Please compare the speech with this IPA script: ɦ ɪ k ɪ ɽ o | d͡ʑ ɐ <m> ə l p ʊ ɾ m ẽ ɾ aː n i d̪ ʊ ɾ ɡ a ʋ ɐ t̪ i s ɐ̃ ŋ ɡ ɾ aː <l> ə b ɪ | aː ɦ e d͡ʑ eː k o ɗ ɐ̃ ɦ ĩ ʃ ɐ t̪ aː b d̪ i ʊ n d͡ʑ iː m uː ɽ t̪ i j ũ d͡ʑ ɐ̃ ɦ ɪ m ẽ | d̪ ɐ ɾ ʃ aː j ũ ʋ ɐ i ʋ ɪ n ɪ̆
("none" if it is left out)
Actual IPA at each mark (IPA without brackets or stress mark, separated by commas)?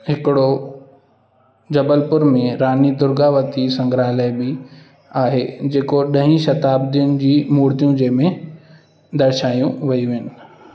b, l